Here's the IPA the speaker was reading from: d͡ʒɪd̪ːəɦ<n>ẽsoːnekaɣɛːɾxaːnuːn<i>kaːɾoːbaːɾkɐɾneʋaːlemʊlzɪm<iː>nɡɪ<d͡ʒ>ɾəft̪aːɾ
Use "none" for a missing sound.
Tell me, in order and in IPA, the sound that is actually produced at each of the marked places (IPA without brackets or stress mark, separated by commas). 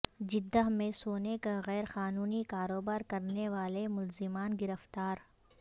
m, i, aː, none